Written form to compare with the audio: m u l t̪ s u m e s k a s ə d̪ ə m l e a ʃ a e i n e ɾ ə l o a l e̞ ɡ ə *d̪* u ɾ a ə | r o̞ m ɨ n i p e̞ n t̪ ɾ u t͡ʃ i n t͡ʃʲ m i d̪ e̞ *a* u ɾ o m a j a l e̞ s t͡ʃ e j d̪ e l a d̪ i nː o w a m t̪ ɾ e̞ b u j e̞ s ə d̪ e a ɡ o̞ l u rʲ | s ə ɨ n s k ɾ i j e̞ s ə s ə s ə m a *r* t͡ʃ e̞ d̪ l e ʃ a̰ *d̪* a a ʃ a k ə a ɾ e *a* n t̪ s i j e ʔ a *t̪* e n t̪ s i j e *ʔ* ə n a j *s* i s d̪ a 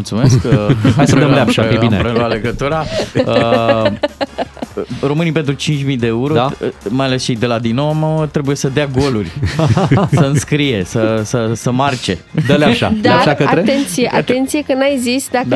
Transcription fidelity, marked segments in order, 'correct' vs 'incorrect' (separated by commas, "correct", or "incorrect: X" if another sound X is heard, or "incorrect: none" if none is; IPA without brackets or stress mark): incorrect: t̪, incorrect: e, correct, correct, incorrect: e, correct, incorrect: k, incorrect: z